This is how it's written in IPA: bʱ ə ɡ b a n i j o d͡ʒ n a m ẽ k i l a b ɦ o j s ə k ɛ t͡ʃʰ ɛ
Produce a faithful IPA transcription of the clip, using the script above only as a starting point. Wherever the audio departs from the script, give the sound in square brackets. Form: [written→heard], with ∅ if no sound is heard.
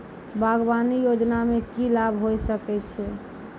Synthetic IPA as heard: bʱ [ə→a] ɡ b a n i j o d͡ʒ n a m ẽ k i l a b ɦ o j s ə k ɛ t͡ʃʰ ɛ